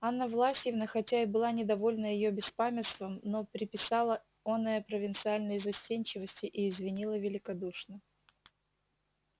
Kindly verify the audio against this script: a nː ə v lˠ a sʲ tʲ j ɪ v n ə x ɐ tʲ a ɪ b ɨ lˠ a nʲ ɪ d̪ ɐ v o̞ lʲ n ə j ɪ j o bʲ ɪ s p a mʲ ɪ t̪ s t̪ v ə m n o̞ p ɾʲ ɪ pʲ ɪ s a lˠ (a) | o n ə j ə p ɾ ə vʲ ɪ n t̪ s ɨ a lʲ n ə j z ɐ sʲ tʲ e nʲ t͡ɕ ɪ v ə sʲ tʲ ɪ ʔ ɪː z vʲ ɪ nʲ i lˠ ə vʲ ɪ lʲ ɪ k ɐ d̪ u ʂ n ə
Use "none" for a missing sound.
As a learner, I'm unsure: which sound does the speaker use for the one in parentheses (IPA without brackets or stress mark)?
ə